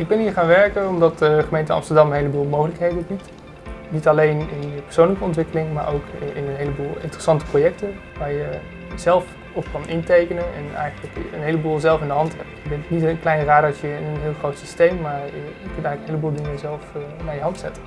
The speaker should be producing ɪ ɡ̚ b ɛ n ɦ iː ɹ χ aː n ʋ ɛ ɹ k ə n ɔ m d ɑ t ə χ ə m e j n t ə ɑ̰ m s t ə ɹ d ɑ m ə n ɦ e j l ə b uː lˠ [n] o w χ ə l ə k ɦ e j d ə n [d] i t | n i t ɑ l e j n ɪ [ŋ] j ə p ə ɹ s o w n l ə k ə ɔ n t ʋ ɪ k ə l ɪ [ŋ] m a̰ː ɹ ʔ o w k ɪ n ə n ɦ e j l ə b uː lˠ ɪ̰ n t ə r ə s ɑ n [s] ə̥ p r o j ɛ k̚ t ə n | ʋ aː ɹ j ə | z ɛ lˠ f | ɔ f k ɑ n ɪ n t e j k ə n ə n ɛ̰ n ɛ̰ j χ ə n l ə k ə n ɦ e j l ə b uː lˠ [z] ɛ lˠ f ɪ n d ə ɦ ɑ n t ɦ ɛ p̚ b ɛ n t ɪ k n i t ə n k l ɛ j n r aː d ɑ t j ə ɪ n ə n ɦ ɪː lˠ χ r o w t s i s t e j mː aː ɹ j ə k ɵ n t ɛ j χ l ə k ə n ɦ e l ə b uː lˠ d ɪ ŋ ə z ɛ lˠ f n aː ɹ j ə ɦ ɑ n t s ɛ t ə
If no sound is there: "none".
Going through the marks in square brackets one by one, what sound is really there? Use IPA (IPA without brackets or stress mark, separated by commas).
m, b, n, ŋ, t, z